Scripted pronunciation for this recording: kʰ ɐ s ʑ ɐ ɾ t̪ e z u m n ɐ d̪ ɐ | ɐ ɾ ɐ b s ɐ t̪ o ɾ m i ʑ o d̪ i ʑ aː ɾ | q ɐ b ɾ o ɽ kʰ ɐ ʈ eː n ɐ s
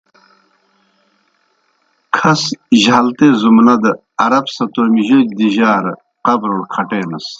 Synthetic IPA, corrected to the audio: kʰ ɐ s ʑ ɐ l t̪ e z u m n ɐ d̪ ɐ | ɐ ɾ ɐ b s ɐ t̪ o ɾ m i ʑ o d̪ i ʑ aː ɾ | q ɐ b ɾ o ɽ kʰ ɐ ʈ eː n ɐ s